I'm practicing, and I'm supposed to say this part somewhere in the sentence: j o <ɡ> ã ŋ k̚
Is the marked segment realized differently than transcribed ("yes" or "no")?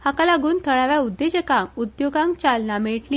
no